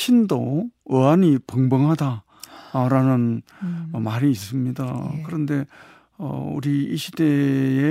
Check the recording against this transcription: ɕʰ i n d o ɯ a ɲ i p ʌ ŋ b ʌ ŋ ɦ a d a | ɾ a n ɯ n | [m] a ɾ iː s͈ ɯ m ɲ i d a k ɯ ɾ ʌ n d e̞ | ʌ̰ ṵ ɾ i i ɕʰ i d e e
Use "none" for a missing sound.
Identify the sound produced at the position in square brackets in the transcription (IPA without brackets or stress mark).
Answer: m